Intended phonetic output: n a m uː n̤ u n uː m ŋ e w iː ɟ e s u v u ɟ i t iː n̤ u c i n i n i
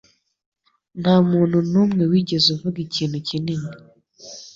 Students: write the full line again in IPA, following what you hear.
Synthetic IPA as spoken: n a m uː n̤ u n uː m ŋ e w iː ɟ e z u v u ɡ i c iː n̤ u c i n i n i